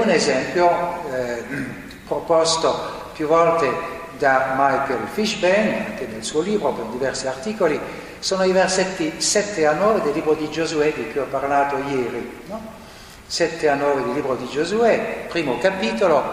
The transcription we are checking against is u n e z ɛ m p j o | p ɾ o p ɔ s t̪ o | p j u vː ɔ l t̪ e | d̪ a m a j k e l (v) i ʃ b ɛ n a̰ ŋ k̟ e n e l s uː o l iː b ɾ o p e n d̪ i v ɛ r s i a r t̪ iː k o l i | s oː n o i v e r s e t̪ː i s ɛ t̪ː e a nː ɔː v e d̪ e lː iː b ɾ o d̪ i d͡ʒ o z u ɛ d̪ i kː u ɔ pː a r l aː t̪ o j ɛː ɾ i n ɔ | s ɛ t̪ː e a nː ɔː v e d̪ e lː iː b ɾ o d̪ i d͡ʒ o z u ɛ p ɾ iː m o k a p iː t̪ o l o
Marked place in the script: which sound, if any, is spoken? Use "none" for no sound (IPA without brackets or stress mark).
f